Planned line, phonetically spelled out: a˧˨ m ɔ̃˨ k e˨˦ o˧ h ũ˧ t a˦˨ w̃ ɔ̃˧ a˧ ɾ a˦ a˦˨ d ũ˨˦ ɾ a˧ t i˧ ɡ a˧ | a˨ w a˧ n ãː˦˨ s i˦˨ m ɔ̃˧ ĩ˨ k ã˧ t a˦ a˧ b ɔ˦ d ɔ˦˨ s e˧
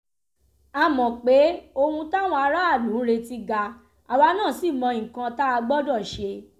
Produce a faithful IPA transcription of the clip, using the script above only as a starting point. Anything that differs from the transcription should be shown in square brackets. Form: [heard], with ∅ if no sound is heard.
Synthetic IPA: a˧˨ m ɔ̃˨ [k͡p] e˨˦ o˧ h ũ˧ t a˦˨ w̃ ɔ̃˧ a˧ ɾ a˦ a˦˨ d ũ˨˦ ɾ [e˧] t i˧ ɡ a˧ | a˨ w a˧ n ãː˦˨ s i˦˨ m ɔ̃˧ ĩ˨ k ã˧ t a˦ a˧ [ɡ͡b] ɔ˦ d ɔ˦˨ [ʃ] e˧